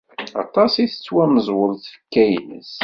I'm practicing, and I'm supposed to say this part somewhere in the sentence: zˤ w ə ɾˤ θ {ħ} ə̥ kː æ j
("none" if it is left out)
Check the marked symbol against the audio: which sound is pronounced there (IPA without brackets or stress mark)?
f